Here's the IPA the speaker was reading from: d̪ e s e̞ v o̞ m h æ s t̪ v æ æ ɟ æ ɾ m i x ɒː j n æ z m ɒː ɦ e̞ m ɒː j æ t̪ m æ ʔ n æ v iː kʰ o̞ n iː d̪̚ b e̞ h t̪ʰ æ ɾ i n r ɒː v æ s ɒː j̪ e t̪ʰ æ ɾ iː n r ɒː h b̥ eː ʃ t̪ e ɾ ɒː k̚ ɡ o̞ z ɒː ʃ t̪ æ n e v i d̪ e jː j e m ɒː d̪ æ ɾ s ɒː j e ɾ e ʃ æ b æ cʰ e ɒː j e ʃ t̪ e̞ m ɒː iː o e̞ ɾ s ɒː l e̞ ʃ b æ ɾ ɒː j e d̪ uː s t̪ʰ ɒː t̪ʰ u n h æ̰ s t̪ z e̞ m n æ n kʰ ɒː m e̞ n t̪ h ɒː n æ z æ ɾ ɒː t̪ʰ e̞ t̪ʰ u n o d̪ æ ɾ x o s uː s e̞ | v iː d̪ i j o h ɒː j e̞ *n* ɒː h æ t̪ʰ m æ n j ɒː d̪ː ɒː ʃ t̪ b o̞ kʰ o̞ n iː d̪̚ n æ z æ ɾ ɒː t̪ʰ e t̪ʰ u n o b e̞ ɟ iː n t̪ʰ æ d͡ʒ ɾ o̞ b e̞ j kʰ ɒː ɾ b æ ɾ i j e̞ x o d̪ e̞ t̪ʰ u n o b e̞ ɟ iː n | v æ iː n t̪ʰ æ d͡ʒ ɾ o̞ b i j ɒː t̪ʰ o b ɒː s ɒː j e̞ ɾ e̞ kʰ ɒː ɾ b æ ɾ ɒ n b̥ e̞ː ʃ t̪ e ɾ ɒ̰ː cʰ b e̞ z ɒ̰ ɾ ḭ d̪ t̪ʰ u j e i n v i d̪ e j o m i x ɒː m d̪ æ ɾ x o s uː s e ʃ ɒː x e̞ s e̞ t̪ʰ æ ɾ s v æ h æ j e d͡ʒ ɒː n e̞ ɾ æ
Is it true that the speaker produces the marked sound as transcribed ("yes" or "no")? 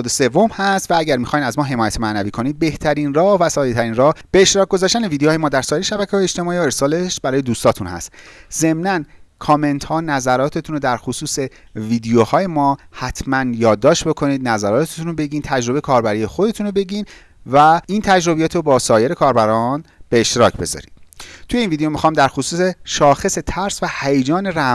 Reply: no